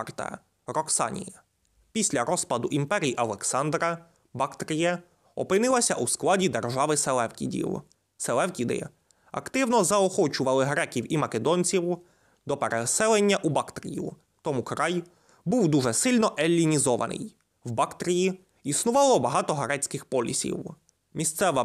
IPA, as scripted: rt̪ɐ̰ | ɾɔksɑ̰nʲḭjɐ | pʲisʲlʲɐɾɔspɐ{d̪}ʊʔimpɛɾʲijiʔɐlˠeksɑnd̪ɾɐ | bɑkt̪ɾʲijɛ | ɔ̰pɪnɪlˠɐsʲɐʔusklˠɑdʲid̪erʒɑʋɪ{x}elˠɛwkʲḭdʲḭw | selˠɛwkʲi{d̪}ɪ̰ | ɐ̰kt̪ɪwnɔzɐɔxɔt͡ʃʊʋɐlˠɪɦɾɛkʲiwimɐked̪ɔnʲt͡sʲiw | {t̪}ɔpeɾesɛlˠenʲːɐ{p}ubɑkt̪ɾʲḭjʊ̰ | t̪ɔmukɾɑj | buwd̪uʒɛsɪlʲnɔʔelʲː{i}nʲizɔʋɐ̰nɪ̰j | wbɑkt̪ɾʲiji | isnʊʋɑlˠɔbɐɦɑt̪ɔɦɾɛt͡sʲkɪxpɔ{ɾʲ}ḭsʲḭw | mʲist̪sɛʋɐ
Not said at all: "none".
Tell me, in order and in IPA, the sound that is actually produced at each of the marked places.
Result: d̪, s, d̪, d̪, ʔ, i, lʲ

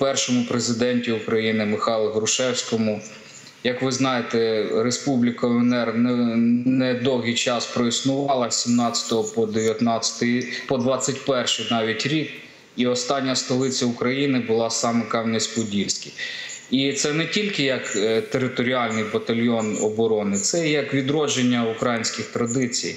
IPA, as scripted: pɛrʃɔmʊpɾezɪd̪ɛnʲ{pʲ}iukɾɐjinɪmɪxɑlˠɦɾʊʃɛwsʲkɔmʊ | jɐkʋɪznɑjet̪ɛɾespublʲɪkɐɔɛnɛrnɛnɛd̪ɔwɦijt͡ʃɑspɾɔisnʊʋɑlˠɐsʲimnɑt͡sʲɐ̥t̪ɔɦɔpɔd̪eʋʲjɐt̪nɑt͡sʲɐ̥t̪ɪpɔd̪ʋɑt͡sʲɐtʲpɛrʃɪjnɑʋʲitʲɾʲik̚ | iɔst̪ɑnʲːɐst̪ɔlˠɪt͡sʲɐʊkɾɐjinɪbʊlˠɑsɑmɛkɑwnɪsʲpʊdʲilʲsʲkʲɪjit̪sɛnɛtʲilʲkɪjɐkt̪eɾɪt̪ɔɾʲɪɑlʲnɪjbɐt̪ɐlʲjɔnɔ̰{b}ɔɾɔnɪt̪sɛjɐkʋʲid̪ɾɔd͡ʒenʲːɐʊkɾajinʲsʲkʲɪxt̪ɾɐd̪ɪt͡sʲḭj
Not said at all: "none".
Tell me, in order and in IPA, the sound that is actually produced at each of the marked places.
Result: tʲ, b

